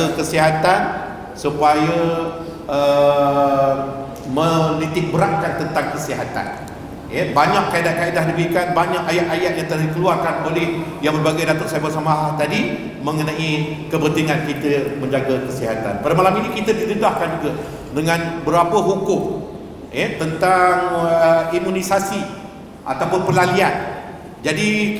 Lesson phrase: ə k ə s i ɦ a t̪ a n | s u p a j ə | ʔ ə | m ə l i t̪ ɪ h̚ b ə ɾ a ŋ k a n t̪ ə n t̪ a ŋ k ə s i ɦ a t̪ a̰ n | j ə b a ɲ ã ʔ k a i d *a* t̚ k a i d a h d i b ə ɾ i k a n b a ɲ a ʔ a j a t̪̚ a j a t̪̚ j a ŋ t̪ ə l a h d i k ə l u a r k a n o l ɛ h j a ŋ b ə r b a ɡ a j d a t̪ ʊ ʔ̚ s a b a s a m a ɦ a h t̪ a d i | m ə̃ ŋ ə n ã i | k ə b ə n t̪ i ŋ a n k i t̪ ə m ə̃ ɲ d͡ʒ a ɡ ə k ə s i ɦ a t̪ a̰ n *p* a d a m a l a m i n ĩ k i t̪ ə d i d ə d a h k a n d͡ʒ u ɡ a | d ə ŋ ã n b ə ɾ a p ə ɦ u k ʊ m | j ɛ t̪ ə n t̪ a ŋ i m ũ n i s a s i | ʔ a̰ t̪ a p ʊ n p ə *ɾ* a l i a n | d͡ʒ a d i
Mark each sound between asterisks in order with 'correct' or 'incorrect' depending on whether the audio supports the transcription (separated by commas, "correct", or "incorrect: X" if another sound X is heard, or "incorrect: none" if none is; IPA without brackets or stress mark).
correct, correct, incorrect: l